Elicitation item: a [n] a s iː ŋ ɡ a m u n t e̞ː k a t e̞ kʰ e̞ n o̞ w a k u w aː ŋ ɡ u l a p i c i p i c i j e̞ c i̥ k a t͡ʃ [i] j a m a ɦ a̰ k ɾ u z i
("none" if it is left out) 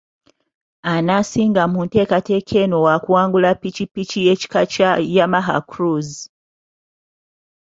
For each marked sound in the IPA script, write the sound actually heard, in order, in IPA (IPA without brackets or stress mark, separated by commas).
n, a